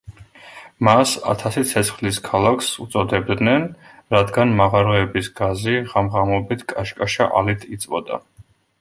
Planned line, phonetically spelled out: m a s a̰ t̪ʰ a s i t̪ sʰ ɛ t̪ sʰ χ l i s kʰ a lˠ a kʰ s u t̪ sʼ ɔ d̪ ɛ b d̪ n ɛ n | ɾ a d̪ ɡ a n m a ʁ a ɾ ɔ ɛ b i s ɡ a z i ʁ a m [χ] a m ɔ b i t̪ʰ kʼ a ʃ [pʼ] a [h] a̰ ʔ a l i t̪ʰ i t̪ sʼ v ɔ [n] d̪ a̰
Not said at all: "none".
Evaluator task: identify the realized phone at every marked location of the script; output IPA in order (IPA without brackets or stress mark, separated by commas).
ʁ, kʼ, ʃ, none